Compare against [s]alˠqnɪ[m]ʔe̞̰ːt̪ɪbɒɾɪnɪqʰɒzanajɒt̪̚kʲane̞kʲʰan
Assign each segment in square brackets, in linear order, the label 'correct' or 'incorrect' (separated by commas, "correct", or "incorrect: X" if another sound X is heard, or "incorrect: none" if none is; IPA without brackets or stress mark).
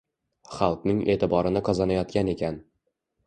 incorrect: χ, incorrect: ŋ